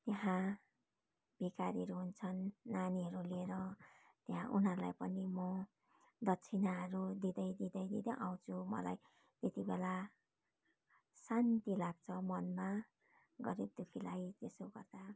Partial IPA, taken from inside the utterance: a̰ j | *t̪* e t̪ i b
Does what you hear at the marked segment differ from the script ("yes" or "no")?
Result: no